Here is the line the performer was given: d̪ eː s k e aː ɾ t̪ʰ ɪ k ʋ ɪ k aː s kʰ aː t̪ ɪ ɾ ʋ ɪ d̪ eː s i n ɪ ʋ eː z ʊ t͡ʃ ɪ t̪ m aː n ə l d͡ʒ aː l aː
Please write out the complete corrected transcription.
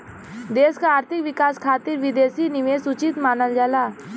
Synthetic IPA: d̪ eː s k a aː ɾ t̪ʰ ɪ k ʋ ɪ k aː s kʰ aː t̪ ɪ ɾ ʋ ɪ d̪ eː s i n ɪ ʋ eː s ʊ t͡ʃ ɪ t̪ m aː n ə l d͡ʒ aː l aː